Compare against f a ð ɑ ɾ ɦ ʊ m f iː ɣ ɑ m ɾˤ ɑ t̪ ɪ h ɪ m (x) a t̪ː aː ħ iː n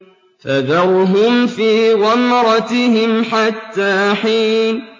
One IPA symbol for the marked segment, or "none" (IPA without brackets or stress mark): ħ